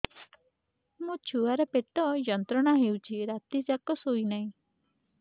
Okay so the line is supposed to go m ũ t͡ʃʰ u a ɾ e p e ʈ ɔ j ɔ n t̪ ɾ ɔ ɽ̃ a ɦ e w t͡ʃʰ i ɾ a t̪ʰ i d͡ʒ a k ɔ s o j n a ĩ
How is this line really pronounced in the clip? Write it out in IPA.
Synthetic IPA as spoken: m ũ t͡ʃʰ u a ɾ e p e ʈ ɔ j ɔ n t̪ ɾ ɔ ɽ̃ a ɦ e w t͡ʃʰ i ɾ a t̪ i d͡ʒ a k ɔ s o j n a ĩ